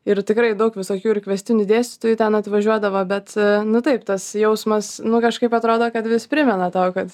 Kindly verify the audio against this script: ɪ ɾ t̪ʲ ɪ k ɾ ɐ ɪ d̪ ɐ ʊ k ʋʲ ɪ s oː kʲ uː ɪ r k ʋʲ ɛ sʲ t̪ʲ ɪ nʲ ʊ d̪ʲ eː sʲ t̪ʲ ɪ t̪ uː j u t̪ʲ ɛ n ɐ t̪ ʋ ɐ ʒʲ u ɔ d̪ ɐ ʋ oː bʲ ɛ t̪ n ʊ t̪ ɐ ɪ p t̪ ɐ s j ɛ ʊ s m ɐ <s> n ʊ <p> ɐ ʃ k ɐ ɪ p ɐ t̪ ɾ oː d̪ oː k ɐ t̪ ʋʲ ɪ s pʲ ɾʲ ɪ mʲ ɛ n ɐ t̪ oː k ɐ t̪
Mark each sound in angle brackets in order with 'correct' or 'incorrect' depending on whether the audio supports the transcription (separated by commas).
correct, incorrect